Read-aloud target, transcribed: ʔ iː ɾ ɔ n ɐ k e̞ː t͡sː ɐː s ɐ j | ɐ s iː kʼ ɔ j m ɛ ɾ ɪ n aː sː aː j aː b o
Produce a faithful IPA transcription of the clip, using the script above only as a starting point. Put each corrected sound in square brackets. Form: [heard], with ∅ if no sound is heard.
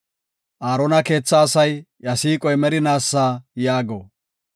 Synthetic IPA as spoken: ʔ [aː] ɾ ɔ n ɐ k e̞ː t͡sː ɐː s ɐ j | ɐ s iː kʼ ɔ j m ɛ ɾ ɪ n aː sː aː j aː [ɡ] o